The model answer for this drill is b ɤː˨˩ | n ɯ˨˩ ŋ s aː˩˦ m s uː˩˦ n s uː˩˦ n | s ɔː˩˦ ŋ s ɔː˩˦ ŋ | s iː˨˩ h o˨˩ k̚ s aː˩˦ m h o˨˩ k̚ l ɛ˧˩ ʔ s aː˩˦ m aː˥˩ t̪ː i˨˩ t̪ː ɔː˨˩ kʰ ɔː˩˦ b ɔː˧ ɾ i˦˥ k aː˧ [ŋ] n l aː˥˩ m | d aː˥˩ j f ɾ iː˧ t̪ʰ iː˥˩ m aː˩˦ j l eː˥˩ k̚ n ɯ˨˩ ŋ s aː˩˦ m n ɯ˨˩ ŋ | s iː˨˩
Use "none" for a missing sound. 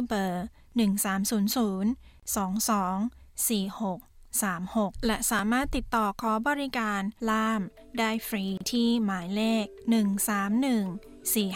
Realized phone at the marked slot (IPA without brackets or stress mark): none